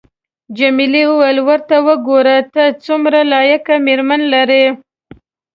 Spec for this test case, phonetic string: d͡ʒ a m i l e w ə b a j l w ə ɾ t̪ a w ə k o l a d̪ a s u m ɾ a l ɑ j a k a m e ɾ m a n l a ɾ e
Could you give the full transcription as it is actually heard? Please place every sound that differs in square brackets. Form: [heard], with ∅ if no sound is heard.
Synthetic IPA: d͡ʒ a m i l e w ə [w] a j l w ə ɾ t̪ a w ə [ɡ] o [ɾ] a [t̪] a [t͡s] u m ɾ a l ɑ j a k a m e ɾ m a n l a ɾ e